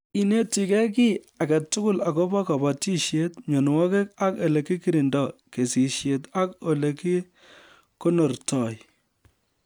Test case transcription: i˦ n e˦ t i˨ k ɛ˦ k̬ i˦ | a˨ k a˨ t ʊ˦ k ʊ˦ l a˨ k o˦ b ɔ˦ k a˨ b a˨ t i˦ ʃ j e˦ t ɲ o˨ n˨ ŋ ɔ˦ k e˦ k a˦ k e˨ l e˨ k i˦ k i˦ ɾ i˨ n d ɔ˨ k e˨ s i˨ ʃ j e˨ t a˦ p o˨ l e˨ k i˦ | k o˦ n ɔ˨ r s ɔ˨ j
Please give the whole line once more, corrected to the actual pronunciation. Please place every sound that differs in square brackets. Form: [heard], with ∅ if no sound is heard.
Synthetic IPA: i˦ n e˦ t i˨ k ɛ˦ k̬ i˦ | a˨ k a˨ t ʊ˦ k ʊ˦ l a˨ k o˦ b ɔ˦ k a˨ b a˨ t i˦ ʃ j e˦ t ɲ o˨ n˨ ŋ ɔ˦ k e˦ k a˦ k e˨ l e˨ k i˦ k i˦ ɾ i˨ n d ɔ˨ k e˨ s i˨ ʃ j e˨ t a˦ [k] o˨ l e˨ k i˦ | k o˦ n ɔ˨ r [t] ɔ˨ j